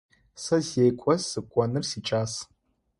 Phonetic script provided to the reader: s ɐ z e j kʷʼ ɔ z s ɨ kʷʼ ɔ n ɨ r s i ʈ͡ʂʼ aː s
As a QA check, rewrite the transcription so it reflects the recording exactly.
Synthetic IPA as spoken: s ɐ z e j kʷʼ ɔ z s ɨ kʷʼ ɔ n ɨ r s i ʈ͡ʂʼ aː s